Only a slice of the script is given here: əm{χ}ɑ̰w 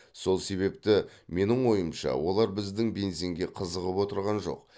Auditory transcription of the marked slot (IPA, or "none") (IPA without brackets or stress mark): ʃ